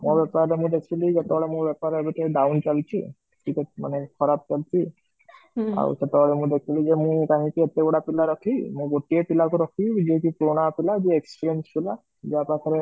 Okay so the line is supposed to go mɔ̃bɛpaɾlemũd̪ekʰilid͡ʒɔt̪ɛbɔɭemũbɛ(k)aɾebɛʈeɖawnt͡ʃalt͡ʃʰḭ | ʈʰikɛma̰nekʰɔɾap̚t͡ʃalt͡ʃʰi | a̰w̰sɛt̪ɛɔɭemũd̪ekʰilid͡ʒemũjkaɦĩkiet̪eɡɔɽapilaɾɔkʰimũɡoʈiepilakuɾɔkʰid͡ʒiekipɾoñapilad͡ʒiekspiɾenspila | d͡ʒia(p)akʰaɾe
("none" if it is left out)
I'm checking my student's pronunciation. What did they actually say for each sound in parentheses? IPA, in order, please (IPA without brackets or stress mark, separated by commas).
p, p